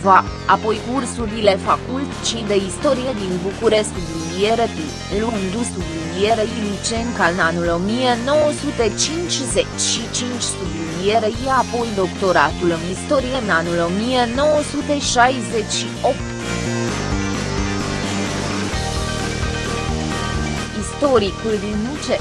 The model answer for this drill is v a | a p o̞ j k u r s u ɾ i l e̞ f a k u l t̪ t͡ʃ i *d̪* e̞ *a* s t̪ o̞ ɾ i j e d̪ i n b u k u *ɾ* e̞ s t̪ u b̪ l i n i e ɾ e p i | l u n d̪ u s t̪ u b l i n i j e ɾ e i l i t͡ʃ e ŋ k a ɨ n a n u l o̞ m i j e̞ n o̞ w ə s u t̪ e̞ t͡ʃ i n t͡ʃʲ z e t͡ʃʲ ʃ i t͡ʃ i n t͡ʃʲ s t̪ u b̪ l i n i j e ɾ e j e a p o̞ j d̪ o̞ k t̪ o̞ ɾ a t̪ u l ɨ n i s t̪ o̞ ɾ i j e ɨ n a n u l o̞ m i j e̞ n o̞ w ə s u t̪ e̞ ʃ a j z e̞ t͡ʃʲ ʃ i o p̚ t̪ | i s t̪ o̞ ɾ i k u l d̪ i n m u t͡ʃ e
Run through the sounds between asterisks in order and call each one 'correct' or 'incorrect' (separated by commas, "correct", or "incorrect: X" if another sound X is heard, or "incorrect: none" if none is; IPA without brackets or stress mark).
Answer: correct, incorrect: i, correct